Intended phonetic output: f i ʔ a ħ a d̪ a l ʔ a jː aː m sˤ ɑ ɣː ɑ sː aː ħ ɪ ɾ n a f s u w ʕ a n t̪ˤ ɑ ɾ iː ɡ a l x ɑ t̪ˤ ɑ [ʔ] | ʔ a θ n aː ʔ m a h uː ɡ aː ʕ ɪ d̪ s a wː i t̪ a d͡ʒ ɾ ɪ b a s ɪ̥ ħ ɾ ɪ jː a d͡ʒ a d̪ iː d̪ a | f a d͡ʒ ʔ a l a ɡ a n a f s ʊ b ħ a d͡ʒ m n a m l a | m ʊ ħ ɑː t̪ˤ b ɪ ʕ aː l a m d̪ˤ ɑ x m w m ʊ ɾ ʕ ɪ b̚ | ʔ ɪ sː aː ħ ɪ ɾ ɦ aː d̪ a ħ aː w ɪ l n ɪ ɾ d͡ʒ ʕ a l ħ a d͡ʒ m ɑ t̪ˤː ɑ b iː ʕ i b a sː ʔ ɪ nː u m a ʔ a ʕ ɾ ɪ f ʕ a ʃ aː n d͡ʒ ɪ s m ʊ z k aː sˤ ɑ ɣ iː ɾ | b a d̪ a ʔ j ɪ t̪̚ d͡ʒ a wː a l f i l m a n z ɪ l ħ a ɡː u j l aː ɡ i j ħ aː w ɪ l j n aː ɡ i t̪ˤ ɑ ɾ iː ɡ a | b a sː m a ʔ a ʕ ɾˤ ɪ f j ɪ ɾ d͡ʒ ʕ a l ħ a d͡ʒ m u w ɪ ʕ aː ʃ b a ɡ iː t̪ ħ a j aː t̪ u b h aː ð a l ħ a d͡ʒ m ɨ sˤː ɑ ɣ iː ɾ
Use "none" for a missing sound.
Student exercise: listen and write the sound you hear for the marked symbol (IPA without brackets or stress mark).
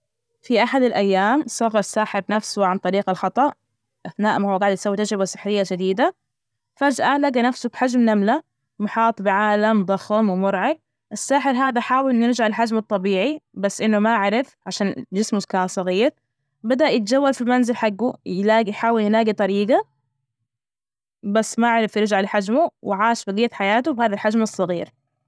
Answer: ʔ